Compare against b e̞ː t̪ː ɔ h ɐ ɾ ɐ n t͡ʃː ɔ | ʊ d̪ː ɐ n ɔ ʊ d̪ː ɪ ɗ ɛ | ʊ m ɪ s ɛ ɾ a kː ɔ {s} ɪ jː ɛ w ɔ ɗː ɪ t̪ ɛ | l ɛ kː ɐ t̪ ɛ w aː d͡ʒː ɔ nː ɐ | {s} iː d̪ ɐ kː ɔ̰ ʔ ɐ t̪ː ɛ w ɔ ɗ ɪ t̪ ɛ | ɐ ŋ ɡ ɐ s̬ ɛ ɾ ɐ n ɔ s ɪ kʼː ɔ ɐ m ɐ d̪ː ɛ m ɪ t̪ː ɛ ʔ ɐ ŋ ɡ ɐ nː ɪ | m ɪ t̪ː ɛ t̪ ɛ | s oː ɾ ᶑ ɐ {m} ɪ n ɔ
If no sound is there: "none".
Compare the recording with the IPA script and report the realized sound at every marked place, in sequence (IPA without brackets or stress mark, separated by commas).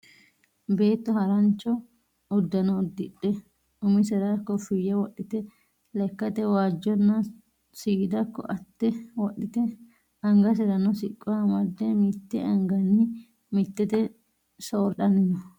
f, s, n